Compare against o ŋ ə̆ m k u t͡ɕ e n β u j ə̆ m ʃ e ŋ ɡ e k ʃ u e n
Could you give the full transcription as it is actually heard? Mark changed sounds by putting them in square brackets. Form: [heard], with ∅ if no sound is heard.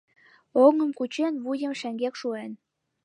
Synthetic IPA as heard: o ŋ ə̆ m k u t͡ɕ e n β u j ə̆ m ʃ [æ] ŋ ɡ e k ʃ u e n